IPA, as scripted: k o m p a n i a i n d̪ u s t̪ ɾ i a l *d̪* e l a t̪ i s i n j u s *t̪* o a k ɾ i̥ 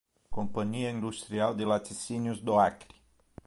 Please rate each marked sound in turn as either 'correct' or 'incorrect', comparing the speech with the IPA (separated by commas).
correct, incorrect